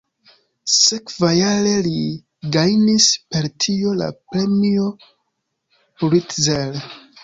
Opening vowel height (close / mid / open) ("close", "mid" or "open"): mid